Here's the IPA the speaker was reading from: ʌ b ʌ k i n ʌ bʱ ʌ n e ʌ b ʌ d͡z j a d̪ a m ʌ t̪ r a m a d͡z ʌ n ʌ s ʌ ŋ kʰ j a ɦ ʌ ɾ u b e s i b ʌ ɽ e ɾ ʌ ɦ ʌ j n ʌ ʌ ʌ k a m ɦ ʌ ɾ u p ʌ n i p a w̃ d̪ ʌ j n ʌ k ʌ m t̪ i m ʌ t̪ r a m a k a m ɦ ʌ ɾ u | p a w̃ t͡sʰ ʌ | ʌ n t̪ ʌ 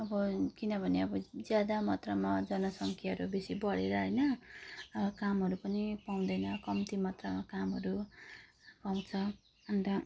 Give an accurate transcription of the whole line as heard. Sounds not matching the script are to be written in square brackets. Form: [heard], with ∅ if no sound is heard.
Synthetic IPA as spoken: ʌ b ʌ k i n ʌ bʱ ʌ n e ʌ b ʌ d͡z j a d̪ a m ʌ t̪ r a m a d͡z ʌ n ʌ s ʌ ŋ kʰ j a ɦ ʌ ɾ u b e s i b ʌ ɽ e ɾ ʌ ɦ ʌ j n ʌ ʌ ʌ k a m ɦ ʌ ɾ u p ʌ n i p a w̃ d̪ ʌ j n ʌ k ʌ m t̪ i m ʌ t̪ r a m a k a m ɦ ʌ ɾ u | p a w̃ t͡sʰ ʌ | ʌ n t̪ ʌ